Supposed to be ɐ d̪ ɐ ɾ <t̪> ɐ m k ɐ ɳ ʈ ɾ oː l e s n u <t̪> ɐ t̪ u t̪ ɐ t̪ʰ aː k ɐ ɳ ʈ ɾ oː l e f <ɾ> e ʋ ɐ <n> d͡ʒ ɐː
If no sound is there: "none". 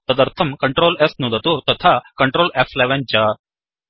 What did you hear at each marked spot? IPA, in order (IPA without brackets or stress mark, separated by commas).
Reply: t̪ʰ, d̪, l, n